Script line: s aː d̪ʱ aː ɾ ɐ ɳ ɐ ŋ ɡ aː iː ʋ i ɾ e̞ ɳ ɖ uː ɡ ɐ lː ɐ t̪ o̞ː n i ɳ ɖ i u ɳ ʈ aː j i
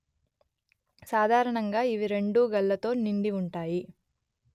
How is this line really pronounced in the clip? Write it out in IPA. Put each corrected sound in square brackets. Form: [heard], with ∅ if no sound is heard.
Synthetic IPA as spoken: s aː d̪ʱ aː ɾ ɐ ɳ ɐ ŋ ɡ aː [i] ʋ i ɾ e̞ ɳ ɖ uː ɡ ɐ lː ɐ t̪ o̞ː n i ɳ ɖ i u ɳ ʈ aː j i